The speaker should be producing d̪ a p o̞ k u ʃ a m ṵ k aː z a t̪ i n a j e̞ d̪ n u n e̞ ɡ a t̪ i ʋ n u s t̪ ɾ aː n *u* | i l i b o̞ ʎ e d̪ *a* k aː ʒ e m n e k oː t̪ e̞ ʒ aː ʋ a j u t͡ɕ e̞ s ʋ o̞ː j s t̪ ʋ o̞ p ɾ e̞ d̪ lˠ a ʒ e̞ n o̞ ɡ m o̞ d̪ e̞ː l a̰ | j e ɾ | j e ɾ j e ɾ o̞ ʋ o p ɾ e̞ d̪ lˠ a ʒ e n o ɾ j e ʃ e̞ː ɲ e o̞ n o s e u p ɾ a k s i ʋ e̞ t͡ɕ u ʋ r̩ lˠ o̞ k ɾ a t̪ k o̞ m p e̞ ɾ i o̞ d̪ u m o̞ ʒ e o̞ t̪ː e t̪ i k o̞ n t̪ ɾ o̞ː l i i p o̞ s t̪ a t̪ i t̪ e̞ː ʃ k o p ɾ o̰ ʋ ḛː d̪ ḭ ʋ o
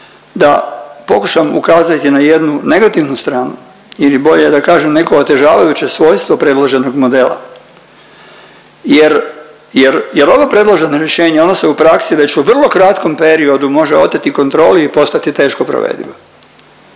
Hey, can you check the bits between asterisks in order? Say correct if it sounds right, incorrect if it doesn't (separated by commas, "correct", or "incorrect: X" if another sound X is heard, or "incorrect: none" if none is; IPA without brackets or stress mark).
correct, correct